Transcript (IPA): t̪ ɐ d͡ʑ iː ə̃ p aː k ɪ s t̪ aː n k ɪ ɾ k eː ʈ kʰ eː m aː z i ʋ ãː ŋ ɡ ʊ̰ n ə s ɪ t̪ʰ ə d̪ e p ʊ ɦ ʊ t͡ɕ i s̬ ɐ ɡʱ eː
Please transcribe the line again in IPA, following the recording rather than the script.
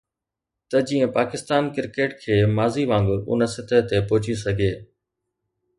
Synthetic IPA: t̪ ɐ d͡ʑ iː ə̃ p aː k ɪ s t̪ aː n k ɪ ɾ k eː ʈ kʰ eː m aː z i ʋ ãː ŋ ɡ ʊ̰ n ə s ɪ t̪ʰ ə t̪ e p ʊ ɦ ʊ t͡ɕ i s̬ ɐ ɡʱ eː

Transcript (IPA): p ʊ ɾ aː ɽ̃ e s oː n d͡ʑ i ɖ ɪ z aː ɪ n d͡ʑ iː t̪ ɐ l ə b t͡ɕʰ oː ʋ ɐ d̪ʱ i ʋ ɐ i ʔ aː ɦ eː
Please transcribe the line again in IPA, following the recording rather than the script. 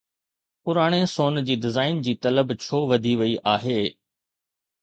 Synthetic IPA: p ʊ ɾ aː ɽ̃ e s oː n d͡ʑ iː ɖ ɪ z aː ɪ n d͡ʑ iː t̪ ɐ l ə b t͡ɕʰ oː ʋ ɐ d̪ʱ i ʋ ɐ i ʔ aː ɦ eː

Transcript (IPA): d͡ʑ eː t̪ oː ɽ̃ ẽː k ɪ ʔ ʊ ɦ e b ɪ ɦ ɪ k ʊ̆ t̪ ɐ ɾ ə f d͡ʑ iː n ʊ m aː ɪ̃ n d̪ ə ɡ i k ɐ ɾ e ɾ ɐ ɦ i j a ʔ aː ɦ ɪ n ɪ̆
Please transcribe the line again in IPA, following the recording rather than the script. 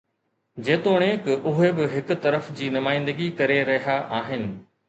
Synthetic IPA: d͡ʑ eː t̪ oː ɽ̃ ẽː k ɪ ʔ ʊ ɦ e b ɪ ɦ ɪ k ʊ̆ t̪ ɐ ɾ ə f d͡ʑ iː n ʊ m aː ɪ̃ n d̪ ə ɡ i k ɐ ɾ e ɾ ɐ ɦ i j a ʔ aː ɦ ɪ n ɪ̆

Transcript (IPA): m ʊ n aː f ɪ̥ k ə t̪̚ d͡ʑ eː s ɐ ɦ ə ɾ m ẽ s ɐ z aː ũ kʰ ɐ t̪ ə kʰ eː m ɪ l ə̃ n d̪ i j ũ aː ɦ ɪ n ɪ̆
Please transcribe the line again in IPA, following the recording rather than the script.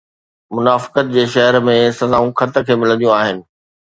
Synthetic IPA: m ʊ n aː f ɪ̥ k ə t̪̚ d͡ʑ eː ʃ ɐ ɦ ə ɾ m ẽ s ɐ z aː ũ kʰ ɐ t̪ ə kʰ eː m ɪ l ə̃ n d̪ i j ũ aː ɦ ɪ n ɪ̆

